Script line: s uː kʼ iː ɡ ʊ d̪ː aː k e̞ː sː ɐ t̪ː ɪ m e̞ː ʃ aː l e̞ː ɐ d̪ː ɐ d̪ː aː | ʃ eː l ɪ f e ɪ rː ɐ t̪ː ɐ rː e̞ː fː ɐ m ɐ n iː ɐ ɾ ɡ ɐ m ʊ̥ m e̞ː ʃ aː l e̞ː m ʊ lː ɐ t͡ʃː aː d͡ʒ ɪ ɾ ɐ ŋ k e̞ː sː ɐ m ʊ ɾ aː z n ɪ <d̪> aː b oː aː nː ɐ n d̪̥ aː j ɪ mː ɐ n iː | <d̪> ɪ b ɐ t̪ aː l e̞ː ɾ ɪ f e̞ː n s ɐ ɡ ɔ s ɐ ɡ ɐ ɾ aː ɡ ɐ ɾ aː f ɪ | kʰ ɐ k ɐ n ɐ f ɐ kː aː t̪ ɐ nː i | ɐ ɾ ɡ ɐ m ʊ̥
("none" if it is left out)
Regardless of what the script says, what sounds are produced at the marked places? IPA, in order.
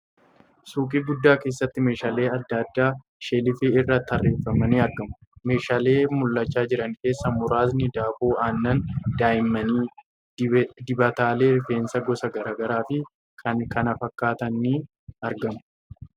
d̪, d̪

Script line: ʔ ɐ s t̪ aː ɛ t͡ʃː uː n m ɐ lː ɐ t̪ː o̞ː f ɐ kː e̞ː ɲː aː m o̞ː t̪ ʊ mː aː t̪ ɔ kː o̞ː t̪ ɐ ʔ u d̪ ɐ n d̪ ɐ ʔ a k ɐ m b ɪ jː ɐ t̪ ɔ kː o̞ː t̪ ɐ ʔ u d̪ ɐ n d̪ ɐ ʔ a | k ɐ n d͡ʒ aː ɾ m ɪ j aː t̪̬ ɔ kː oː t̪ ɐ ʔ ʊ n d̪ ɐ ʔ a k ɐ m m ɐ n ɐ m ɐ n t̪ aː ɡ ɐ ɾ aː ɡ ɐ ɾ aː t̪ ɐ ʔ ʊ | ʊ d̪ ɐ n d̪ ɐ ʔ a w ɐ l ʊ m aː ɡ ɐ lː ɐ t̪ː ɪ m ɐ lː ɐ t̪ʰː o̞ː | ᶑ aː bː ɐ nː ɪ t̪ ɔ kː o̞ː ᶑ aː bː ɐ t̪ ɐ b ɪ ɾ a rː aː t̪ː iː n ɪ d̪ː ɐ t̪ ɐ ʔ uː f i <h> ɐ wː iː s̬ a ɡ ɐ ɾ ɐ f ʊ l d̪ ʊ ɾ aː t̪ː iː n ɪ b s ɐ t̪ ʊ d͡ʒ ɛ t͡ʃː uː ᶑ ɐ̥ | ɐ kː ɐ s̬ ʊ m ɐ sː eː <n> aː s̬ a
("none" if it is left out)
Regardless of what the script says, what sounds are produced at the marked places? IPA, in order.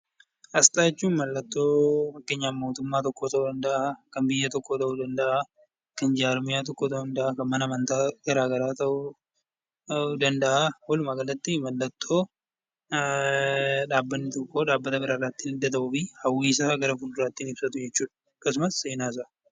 h, n

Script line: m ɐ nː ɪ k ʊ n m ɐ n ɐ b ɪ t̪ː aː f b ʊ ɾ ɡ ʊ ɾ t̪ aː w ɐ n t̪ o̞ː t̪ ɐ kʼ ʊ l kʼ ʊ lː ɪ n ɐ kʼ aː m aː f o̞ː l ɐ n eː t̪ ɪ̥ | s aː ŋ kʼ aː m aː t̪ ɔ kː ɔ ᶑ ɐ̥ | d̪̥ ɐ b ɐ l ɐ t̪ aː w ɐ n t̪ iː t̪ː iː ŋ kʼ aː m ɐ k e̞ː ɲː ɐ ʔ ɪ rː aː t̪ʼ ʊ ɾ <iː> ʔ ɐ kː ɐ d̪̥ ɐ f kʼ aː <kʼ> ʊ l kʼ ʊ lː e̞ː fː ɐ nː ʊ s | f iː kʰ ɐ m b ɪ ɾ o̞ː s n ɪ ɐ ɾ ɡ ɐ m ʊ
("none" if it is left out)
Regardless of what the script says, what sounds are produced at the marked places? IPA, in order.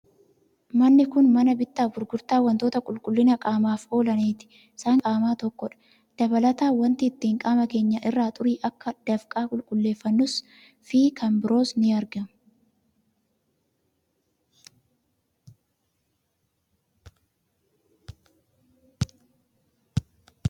iː, kʼ

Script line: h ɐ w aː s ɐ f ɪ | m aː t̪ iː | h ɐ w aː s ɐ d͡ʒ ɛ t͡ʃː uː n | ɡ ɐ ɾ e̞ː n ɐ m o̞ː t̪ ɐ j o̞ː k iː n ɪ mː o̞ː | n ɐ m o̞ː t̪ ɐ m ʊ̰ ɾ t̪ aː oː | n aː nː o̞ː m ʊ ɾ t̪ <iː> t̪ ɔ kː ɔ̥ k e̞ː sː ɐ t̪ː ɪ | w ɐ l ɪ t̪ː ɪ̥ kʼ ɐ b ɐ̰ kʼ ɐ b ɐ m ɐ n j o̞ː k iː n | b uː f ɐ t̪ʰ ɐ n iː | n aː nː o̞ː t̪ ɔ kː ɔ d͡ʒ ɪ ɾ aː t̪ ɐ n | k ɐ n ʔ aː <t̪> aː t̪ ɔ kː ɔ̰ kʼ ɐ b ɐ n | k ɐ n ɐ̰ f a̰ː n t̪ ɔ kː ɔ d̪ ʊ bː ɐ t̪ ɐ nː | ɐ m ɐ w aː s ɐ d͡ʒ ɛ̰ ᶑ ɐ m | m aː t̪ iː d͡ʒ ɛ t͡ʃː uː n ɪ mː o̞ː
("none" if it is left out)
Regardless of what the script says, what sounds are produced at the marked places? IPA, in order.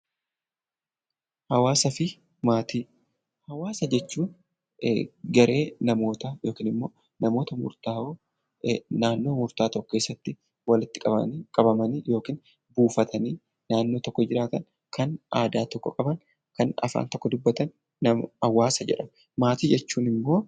aː, d̪

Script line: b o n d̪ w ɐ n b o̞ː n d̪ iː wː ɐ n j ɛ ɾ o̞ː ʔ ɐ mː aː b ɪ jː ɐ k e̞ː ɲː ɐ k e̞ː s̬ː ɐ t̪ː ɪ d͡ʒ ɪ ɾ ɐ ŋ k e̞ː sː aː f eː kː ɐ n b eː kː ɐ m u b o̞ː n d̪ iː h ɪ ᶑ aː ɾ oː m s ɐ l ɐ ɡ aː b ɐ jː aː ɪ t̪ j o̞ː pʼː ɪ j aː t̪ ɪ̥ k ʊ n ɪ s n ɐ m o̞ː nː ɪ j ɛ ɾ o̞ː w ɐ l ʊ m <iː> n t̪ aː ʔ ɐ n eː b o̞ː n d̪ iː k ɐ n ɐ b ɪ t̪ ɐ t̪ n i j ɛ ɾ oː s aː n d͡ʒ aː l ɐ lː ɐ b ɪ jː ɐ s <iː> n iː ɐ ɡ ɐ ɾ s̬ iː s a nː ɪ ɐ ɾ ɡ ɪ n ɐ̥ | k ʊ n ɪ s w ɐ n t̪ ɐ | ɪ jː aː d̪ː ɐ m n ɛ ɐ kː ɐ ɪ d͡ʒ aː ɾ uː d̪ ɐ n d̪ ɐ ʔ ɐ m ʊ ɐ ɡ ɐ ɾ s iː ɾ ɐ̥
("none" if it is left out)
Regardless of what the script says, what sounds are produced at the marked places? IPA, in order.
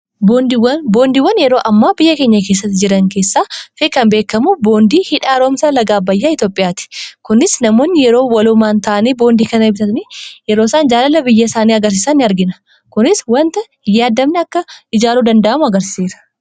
aː, aː

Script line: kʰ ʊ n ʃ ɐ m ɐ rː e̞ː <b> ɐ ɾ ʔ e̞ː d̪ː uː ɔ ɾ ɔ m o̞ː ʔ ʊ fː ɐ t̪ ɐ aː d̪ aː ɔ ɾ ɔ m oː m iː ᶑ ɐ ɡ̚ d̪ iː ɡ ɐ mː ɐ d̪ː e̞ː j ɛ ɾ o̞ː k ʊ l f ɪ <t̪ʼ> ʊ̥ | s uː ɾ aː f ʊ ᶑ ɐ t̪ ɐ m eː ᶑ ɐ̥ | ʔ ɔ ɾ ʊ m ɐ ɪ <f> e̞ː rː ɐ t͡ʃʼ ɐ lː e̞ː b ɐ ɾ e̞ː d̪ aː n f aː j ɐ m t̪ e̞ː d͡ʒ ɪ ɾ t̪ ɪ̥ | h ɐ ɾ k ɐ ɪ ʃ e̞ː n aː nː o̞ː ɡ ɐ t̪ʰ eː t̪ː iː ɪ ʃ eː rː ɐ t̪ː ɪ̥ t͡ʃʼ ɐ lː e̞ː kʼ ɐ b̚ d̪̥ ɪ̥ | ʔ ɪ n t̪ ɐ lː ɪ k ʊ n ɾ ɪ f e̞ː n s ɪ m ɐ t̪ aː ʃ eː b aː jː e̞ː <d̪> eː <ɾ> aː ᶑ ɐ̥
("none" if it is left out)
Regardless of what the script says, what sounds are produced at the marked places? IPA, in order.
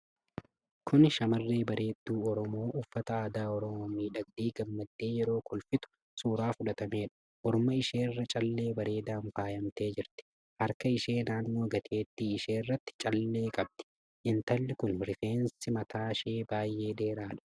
b, t̪, ʃ, d̪, ɾ

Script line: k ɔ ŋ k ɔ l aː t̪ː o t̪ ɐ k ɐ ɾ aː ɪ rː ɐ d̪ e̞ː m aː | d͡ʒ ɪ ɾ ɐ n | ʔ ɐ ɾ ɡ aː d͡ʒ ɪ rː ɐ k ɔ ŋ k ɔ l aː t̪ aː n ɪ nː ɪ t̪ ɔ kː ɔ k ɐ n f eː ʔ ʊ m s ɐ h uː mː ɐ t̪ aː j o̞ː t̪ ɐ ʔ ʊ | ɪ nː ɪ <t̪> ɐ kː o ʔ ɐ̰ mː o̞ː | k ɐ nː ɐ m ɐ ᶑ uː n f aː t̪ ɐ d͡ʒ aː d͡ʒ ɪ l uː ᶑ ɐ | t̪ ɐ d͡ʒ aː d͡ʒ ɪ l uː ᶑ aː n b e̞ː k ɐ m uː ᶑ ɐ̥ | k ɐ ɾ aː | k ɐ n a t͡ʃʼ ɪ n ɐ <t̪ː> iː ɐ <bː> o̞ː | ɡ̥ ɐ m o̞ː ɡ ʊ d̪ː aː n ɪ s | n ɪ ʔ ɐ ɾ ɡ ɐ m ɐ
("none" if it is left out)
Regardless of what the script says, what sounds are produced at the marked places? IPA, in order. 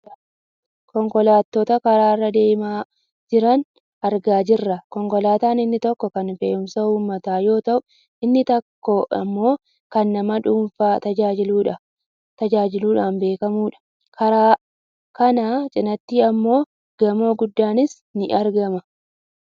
t̪, t̪ː, mː

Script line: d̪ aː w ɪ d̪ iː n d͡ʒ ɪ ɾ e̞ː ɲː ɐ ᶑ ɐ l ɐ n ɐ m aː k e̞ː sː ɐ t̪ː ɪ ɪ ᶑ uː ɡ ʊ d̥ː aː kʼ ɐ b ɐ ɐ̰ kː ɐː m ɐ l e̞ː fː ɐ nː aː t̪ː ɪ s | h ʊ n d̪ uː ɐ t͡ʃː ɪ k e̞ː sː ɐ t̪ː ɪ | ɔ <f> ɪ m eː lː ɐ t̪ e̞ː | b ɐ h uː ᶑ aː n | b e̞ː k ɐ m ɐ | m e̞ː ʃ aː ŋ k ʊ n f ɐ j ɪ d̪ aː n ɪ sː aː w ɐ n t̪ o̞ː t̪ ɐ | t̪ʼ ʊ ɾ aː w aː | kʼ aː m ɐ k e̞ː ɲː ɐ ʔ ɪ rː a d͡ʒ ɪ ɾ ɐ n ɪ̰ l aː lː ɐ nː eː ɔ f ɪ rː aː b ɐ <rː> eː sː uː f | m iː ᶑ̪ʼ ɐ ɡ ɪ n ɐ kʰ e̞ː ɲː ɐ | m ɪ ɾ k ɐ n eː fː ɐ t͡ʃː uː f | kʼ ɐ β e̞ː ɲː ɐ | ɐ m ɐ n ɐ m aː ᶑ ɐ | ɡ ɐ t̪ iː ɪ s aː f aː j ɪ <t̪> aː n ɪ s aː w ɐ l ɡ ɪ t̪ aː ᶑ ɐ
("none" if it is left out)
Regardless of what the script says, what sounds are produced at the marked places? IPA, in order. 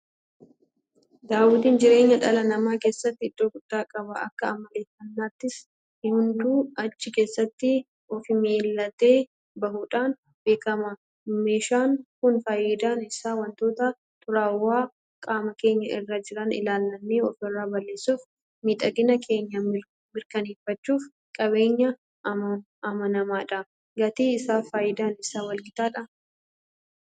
f, lː, d̪

